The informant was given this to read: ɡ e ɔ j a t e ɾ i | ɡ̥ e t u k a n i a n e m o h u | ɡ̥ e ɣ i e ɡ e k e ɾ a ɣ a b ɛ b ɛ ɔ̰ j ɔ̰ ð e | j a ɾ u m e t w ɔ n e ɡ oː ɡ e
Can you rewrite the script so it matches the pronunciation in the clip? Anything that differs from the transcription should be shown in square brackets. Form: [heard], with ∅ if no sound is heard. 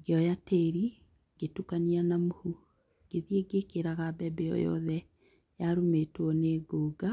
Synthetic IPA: ɡ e ɔ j a t e ɾ i | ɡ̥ e t u k a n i a n [a] m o h u | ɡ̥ e [ð] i e ɡ e k e ɾ a ɣ a b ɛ b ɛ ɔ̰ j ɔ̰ ð [ɛ] | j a ɾ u m e t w ɔ n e ɡ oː ɡ [a]